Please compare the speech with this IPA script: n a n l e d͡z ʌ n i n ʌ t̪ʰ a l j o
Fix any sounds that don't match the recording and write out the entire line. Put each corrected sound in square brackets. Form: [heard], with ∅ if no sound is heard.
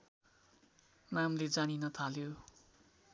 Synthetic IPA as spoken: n a [m] l e d͡z [a] n i n ʌ t̪ʰ a l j o